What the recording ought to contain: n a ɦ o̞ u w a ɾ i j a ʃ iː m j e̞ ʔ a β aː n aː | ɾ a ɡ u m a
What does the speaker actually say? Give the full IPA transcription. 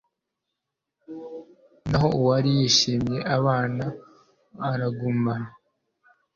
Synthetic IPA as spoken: n a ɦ o̞ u w a ɾ i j i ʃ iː m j e̞ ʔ a β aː n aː | ɾ a ɡ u m a